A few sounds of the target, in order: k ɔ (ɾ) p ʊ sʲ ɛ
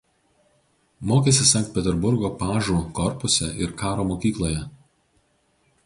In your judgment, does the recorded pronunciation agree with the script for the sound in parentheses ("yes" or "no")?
yes